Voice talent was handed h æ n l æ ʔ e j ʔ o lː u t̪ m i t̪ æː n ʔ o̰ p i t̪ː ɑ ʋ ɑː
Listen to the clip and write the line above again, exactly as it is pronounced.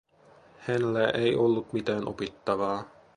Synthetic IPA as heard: h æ n l æ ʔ e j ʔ o lː u t̪ m i t̪ æː n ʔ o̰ p i t̪ː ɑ ʋ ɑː